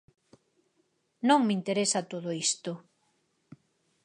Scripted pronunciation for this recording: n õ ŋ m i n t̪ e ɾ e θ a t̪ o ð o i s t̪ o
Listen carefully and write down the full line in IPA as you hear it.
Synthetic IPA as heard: n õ ŋ m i n t̪ e ɾ e s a t̪ o ð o i s t̪ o